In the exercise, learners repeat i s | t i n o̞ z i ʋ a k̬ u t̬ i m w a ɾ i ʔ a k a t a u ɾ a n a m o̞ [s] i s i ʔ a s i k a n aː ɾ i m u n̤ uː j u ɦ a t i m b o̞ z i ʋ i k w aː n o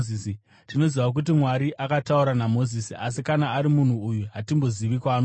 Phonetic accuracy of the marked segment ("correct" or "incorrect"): incorrect